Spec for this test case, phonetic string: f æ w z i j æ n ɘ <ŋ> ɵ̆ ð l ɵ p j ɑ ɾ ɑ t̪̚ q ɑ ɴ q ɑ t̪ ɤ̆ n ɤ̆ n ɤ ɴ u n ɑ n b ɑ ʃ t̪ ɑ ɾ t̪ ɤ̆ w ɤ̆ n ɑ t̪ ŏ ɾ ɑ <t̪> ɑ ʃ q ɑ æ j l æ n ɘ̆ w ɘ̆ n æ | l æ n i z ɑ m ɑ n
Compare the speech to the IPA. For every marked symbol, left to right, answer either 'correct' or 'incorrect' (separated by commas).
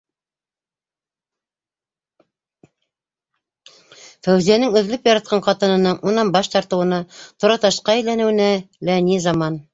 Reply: correct, correct